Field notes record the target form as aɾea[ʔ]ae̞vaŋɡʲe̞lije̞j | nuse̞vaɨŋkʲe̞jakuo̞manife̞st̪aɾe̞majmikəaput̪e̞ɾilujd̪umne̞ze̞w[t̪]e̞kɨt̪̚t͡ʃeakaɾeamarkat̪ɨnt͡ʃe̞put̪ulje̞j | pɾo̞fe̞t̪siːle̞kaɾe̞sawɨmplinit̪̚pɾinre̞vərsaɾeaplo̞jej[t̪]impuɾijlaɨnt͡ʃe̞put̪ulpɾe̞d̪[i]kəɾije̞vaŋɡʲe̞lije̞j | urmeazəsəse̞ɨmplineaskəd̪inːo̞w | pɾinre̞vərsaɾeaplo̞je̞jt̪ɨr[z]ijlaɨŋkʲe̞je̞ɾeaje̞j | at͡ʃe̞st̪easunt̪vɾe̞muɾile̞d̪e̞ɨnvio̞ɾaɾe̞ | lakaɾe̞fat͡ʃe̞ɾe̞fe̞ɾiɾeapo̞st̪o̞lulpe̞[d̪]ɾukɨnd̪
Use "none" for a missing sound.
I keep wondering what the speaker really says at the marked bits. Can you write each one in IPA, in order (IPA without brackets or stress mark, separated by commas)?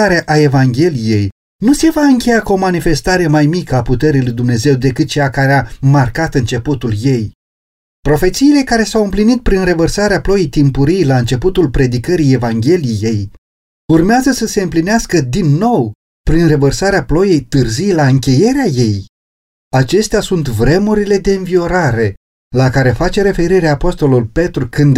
ʔ, d̪, t̪, i, z, t̪